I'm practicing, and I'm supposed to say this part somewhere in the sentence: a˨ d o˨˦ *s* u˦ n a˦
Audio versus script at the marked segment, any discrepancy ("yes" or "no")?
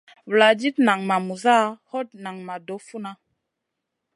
yes